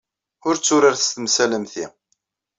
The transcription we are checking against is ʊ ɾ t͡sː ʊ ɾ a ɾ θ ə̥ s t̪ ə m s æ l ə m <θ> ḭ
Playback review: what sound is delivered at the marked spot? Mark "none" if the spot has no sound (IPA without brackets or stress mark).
θ